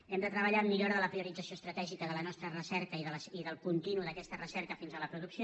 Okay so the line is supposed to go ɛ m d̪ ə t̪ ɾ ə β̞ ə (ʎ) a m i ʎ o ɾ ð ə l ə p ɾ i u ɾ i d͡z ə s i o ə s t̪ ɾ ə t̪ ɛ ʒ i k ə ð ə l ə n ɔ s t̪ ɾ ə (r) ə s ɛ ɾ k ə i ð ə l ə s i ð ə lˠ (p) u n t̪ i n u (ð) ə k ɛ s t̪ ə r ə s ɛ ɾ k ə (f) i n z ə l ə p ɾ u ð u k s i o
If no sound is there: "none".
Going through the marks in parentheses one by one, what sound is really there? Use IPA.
ʎ, r, k, ð, f

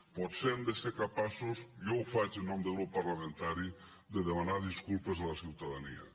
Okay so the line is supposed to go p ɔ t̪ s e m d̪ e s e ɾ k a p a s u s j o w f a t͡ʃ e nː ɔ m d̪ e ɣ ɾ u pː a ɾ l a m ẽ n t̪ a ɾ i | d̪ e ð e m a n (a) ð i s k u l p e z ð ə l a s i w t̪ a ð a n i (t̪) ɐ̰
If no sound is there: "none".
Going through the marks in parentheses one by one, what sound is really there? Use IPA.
a, none

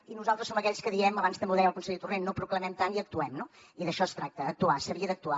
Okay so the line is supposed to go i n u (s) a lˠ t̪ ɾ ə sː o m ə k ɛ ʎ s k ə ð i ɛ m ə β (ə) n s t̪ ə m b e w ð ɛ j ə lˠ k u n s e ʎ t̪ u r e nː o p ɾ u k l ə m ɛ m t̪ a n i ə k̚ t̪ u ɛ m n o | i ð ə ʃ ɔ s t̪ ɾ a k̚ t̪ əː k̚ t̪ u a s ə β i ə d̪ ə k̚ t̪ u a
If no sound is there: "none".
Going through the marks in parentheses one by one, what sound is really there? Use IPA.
z, a

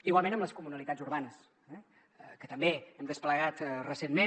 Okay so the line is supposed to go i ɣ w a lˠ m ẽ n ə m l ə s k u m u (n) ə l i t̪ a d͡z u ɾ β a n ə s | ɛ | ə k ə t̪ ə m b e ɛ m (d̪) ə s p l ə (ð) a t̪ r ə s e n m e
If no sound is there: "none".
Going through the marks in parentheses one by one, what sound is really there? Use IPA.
n, d̪, ɣ

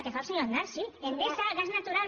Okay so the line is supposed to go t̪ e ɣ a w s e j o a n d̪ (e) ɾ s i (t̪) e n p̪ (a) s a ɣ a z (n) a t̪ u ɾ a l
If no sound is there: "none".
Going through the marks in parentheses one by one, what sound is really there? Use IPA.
a, none, e, n

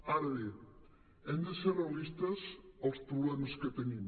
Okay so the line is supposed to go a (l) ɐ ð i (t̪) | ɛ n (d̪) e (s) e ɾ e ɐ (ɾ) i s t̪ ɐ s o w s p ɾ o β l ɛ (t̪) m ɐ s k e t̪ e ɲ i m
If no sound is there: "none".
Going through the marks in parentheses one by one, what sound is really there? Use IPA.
ɾ, none, d̪, s, l, none

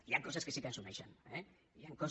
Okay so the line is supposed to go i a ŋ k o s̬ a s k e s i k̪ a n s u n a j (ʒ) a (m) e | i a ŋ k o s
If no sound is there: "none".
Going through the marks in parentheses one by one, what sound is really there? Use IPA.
ʃ, n

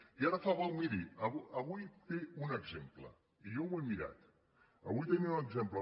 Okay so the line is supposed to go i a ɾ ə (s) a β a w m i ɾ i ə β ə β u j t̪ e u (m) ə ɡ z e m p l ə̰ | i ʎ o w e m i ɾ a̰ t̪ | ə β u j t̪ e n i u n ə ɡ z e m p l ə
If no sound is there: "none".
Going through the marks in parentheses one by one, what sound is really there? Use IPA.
f, n

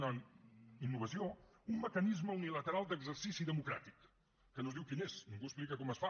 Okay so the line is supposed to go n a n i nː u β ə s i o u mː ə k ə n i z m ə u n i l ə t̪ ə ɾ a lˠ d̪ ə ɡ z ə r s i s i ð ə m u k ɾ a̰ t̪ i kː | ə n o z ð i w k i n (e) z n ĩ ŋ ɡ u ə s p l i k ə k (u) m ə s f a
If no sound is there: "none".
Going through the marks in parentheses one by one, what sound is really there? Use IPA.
e, ɔ

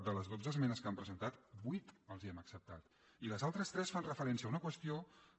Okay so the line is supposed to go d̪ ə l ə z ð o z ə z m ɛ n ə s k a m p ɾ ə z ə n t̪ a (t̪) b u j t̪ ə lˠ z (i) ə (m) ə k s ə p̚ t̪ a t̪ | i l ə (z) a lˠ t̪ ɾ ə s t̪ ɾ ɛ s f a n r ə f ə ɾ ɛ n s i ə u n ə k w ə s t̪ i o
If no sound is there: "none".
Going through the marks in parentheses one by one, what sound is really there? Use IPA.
t̪, i, m, z

